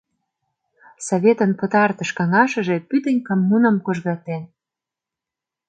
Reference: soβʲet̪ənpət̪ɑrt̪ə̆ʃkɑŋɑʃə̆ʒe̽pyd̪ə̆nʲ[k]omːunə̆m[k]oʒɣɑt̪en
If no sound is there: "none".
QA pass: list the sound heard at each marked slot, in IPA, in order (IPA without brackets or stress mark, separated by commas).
k, k